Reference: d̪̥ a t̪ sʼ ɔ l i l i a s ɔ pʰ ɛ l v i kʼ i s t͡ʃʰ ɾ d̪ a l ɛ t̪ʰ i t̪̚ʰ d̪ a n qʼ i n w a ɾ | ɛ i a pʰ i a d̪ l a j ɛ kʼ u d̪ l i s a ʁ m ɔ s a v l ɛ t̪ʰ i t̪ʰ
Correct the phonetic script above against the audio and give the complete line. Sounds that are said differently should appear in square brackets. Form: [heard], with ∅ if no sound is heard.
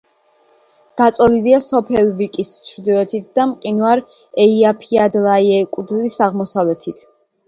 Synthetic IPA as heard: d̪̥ a t̪ sʼ ɔ l i l i a s ɔ pʰ ɛ l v i kʼ i s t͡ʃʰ ɾ d̪ [i] l ɛ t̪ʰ i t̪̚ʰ d̪ a [m] qʼ i n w a ɾ | ɛ i a pʰ i a d̪ l a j ɛ kʼ u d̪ l i s a ʁ m ɔ s a v l ɛ t̪ʰ i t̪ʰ